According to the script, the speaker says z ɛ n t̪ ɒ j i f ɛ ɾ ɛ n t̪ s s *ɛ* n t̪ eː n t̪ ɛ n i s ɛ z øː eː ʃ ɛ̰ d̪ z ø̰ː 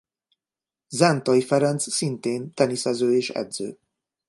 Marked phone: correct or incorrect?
incorrect